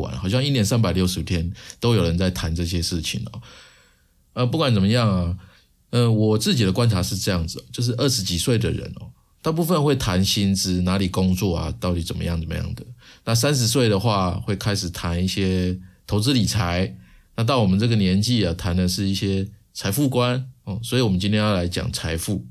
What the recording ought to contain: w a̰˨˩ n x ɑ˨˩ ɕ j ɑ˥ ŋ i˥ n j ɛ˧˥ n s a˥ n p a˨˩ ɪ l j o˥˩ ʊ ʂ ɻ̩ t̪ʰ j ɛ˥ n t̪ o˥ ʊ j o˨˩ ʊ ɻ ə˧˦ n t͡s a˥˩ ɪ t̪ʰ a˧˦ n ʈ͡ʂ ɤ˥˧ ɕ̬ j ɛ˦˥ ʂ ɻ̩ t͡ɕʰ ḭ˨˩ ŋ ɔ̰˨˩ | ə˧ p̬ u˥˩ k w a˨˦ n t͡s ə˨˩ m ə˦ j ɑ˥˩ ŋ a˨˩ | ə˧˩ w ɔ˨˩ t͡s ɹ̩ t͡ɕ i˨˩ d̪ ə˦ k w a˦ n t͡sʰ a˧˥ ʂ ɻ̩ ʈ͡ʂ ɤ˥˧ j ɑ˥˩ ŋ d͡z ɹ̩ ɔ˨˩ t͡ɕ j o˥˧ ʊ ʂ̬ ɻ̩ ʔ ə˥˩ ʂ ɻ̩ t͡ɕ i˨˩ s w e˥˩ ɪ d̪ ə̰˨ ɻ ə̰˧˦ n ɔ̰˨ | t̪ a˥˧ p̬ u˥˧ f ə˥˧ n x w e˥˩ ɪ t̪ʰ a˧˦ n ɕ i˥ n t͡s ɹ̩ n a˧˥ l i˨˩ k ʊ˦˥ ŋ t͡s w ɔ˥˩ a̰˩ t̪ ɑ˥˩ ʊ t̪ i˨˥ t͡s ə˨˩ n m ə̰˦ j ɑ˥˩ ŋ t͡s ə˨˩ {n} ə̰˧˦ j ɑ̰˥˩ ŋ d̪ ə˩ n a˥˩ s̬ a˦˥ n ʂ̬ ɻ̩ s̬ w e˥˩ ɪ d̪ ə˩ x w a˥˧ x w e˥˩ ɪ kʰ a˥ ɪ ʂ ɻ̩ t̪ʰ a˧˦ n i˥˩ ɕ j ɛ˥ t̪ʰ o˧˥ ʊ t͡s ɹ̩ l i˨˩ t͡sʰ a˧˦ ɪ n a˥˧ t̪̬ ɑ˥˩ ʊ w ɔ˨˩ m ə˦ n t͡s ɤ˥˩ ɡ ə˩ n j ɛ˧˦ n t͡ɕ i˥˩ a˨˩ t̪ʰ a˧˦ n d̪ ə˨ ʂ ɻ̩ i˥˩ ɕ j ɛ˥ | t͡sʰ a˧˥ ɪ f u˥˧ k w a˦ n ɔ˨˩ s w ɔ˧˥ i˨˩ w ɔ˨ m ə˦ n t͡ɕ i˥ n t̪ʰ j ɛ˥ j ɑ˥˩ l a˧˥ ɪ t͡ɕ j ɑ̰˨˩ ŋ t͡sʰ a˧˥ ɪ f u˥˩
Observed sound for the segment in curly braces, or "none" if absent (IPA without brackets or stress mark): m